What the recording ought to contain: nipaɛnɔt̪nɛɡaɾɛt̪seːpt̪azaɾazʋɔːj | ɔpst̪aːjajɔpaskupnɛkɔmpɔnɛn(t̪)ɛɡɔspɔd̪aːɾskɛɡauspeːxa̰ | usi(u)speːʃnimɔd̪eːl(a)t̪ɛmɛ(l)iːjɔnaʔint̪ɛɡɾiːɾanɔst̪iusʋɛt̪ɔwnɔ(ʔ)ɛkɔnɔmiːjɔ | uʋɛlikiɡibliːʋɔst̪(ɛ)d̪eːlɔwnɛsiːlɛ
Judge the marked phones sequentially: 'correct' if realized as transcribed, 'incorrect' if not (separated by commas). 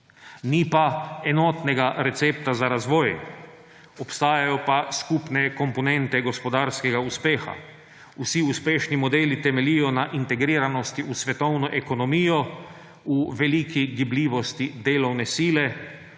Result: correct, correct, incorrect, correct, correct, incorrect